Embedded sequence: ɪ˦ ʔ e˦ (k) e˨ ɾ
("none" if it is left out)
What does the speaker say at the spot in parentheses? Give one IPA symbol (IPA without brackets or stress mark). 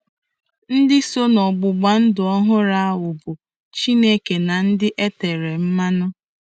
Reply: t